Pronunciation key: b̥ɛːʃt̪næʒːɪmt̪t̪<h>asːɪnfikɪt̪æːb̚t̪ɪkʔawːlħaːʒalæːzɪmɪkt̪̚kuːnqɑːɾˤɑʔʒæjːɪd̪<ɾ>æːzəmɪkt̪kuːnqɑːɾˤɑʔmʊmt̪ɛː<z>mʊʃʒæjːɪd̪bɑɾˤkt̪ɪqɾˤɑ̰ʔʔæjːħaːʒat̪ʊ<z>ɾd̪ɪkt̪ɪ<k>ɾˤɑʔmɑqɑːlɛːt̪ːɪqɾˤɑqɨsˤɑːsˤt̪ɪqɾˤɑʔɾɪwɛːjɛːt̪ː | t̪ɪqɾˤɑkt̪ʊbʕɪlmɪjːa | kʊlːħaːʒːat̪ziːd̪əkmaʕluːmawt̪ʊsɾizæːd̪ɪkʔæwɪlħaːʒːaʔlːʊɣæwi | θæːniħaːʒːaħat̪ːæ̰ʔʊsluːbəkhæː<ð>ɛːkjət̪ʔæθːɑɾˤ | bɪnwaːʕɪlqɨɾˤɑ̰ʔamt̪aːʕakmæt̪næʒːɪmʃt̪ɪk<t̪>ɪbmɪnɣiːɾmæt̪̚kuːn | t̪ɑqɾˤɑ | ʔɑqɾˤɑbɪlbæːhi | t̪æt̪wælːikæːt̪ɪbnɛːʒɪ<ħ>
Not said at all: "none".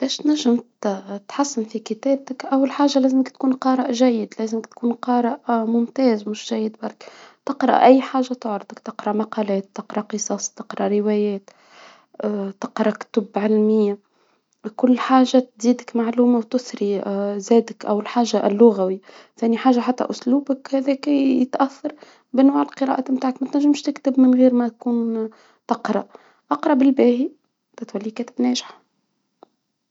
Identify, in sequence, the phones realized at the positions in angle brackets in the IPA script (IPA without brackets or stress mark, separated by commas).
ħ, l, z, ʕ, q, ð, t̪, ħ